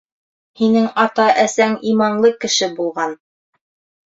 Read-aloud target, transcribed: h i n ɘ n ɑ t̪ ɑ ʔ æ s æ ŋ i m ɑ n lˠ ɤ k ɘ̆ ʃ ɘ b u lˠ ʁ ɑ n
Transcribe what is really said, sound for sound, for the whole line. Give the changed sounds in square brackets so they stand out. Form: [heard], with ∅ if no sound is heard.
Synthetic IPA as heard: h i n ɘ [ŋ] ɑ t̪ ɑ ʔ æ s æ ŋ i m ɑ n lˠ ɤ k ɘ̆ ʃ ɘ b u lˠ ʁ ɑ n

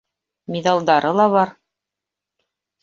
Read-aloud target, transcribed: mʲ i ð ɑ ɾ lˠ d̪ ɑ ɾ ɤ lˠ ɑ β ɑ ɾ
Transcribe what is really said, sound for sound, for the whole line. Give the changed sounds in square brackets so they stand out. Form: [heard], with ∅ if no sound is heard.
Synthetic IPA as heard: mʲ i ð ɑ [∅] lˠ d̪ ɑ ɾ ɤ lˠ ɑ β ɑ ɾ

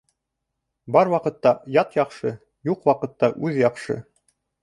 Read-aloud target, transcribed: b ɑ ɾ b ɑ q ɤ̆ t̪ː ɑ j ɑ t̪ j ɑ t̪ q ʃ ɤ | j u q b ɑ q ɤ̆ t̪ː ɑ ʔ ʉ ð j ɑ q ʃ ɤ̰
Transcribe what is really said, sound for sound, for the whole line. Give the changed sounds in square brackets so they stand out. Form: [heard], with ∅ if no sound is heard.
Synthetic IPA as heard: b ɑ ɾ [w] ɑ q ɤ̆ t̪ː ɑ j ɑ t̪ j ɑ [∅] q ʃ ɤ | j u q [w] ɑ q ɤ̆ t̪ː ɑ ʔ ʉ ð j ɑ q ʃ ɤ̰

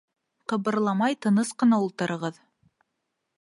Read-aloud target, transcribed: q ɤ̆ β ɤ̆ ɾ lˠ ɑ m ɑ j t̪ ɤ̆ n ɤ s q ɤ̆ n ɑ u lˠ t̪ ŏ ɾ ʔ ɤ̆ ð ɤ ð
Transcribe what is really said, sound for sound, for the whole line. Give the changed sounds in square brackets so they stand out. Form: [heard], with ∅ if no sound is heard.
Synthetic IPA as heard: q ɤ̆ β ɤ̆ ɾ lˠ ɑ m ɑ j t̪ ɤ̆ n ɤ s q ɤ̆ n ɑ u lˠ t̪ [ɤ̆] ɾ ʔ ɤ̆ [ʁ] ɤ ð

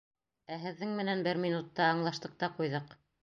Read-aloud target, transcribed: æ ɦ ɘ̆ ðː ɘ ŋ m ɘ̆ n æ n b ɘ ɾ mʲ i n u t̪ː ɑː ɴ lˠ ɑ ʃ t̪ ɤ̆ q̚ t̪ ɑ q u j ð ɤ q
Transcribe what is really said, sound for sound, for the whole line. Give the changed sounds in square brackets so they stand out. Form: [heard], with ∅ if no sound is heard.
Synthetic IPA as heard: æ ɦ ɘ̆ ðː ɘ ŋ m ɘ̆ n æ n b ɘ ɾ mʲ i n u t̪ː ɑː ɴ lˠ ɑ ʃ t̪ ɤ̆ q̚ t̪ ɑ q u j ð ɤ q

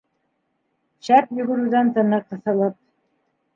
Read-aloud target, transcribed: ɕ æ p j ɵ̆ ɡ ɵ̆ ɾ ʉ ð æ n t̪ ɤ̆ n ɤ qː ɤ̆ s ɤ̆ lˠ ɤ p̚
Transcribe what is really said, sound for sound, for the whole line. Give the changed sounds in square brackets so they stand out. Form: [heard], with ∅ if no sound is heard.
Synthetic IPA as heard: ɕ æ p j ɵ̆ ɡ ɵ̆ ɾ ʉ ð æ n t̪ ɤ̆ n ɤ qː ɤ̆ [θ] ɤ̆ lˠ ɤ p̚

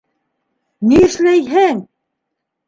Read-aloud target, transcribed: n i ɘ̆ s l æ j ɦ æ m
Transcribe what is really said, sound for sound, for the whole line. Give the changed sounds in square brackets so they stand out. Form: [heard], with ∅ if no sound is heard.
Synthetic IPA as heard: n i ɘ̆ [ʃ] l æ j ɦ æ [ŋ]

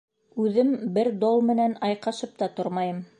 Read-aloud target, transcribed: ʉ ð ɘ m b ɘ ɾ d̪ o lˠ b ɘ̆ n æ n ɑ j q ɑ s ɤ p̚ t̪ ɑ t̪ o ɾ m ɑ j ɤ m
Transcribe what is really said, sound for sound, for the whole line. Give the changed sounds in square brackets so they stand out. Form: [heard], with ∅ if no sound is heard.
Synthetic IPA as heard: ʉ ð ɘ m b ɘ ɾ d̪ o lˠ [m] ɘ̆ n æ n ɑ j q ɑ [ʃ] ɤ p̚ t̪ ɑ t̪ o ɾ m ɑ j ɤ m

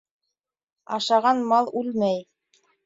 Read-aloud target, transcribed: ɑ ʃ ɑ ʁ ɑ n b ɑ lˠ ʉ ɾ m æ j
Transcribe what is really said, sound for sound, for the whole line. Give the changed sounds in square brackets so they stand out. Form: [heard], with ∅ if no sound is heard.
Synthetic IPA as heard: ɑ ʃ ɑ ʁ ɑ n [m] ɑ lˠ ʉ [l] m æ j

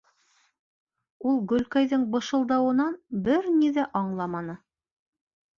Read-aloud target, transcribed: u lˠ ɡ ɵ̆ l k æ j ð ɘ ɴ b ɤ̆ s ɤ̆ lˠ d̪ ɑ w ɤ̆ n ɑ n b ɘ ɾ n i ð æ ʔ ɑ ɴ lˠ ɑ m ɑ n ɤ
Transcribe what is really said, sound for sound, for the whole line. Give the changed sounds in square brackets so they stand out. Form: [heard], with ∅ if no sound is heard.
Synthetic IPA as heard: u lˠ ɡ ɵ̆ l k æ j ð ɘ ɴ b ɤ̆ [ʃ] ɤ̆ lˠ d̪ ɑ w ɤ̆ n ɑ n b ɘ ɾ n i ð æ ʔ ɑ ɴ lˠ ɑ m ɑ n ɤ

